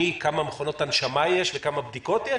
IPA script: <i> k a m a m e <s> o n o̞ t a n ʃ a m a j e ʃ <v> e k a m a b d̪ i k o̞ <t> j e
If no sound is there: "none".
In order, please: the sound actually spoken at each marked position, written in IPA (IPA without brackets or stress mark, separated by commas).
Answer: i, χ, v, t